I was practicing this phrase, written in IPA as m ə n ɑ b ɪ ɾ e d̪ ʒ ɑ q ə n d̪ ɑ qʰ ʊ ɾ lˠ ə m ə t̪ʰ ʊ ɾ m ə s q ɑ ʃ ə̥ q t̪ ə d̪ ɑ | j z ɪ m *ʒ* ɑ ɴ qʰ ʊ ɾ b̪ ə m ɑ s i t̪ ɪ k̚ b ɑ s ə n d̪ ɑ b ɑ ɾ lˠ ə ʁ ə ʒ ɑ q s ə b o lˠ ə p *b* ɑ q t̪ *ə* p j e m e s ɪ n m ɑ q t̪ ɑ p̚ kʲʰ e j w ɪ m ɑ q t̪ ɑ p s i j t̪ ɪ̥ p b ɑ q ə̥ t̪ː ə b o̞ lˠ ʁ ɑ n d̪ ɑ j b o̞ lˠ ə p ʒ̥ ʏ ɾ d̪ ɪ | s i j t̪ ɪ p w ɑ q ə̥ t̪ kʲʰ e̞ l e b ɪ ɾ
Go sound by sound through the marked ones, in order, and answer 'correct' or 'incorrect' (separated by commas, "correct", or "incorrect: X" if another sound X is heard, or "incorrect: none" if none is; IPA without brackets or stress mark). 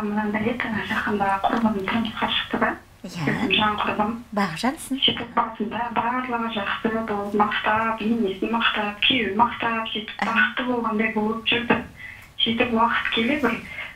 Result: correct, incorrect: m, incorrect: ɑ